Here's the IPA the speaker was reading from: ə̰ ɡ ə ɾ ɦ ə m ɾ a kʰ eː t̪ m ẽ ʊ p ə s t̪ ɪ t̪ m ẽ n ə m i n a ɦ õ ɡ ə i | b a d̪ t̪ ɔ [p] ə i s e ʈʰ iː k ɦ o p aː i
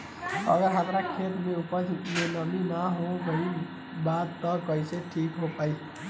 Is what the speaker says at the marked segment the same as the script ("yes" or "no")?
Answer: no